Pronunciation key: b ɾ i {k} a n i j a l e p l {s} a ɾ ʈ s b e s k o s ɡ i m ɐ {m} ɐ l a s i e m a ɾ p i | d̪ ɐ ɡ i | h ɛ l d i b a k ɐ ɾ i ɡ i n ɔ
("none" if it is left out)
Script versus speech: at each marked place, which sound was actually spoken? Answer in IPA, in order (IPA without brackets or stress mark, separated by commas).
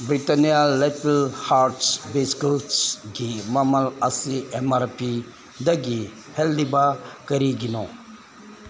t, h, m